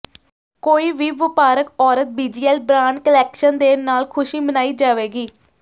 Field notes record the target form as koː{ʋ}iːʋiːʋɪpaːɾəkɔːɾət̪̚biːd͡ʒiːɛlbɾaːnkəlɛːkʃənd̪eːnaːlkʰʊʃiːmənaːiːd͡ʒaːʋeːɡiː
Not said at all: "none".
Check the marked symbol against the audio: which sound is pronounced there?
none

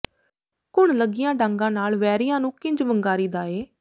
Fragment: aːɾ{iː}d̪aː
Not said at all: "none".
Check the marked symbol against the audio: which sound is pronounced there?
iː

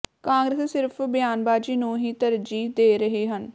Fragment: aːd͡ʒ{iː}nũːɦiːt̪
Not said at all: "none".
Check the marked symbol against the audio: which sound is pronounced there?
iː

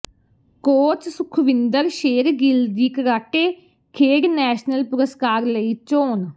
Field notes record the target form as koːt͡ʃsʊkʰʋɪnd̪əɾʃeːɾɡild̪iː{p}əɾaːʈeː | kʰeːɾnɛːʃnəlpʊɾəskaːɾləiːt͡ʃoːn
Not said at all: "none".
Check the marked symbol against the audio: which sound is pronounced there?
k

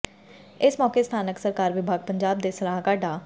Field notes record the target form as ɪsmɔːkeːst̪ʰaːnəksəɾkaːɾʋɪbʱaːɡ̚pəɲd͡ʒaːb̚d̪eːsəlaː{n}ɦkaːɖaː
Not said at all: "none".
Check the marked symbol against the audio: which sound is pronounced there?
none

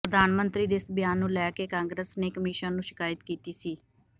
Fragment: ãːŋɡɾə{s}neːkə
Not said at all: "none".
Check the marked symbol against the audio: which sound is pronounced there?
s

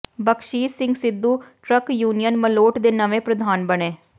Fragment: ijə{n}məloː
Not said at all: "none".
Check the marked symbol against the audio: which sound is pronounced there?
n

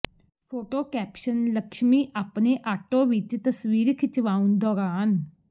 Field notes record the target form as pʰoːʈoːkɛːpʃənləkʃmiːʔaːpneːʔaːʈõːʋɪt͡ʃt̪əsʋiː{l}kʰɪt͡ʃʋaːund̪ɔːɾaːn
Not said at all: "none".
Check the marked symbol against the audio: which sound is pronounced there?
ɾ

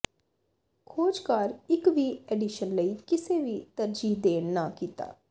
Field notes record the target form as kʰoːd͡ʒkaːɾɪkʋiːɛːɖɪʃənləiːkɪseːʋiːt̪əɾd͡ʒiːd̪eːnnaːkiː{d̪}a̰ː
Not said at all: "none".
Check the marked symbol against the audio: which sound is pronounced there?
t̪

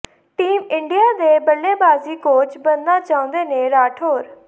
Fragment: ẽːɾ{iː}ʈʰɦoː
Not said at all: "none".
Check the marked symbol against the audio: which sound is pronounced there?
aː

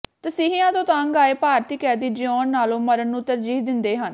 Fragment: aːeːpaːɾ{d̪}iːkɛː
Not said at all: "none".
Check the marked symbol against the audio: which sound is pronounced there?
t̪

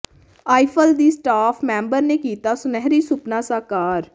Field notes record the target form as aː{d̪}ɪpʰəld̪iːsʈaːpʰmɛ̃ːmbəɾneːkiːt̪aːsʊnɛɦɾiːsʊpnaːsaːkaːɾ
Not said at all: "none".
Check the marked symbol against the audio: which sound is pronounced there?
none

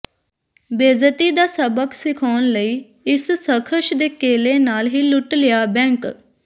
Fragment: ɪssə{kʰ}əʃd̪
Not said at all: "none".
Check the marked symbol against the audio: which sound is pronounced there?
kʰ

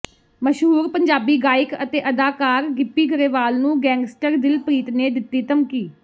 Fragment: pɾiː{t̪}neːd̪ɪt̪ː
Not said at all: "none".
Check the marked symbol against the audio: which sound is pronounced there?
t̪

